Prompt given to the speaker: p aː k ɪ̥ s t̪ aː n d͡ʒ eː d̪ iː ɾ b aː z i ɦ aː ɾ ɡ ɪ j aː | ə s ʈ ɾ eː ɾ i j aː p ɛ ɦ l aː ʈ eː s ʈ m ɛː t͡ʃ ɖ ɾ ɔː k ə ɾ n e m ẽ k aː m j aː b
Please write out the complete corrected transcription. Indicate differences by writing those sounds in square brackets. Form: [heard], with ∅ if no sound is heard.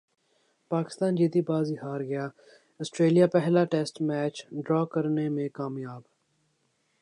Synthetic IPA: p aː k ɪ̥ s t̪ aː n d͡ʒ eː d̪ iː [∅] b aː z i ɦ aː ɾ ɡ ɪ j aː | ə s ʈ ɾ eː [l] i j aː p ɛ ɦ l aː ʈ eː s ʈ m ɛː t͡ʃ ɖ ɾ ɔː k ə ɾ n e m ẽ k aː m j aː b